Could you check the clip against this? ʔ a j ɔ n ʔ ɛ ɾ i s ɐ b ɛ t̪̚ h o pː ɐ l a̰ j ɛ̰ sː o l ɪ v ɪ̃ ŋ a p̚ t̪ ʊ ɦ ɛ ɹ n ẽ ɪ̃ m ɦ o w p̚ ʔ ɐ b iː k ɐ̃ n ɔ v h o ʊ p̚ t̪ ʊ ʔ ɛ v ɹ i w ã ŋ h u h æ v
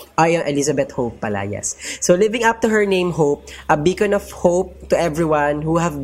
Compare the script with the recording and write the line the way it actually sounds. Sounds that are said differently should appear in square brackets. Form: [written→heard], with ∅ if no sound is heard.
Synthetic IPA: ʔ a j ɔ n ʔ ɛ [ɾ→l] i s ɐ b ɛ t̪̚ h o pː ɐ l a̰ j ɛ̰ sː o l ɪ v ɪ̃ ŋ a p̚ t̪ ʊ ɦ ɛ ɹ n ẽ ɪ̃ m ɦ o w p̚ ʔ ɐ b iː k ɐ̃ n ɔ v h o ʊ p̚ t̪ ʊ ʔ ɛ v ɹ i w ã [ŋ→n] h u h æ v